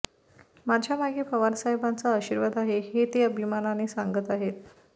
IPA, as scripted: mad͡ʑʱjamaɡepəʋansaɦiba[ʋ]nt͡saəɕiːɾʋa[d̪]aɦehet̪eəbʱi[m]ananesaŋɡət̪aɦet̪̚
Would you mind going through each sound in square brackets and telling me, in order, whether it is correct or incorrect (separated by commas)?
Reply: incorrect, correct, correct